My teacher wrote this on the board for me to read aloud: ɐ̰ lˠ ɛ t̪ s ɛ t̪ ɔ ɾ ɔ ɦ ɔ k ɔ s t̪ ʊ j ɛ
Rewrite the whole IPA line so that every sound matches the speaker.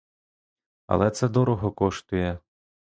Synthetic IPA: ɐ̰ lˠ ɛ t̪ s ɛ d̪ ɔ ɾ ɔ ɦ ɔ k ɔ ʃ t̪ ʊ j ɛ